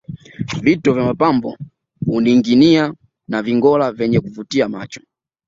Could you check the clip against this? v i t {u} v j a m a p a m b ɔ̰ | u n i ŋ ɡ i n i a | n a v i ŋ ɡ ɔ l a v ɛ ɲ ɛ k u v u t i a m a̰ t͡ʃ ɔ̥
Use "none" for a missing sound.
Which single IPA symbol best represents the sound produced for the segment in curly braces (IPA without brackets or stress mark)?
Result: ɔ